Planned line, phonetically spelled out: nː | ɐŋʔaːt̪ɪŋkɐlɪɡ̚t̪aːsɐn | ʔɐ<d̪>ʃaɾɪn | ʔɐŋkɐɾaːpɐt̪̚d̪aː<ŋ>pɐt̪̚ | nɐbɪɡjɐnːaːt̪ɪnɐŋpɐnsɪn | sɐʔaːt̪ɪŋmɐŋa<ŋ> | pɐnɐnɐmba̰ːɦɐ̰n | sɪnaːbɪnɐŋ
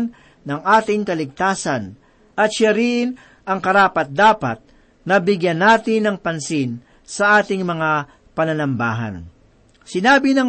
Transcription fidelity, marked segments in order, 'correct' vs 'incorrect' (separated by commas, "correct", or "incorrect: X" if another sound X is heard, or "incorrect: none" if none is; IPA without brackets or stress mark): incorrect: t̪, incorrect: none, incorrect: none